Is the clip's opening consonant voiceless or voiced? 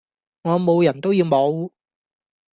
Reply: voiced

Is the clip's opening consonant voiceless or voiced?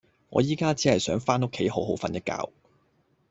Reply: voiced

